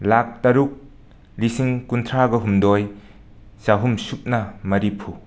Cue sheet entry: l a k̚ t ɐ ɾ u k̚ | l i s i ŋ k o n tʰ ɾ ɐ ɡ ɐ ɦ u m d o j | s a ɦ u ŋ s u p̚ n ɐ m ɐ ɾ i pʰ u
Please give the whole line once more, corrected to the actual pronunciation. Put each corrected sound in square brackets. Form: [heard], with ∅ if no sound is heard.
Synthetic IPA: l a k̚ t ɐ ɾ u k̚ | l i s i ŋ k [u] n tʰ ɾ [a] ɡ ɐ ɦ u m d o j | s a ɦ u [m] s u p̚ n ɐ m ɐ ɾ i pʰ u